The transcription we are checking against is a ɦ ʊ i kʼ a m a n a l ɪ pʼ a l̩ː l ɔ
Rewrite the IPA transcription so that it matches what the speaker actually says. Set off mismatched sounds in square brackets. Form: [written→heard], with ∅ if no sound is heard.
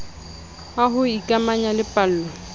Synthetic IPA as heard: a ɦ ʊ i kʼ a m a [n→ɲ] a l ɪ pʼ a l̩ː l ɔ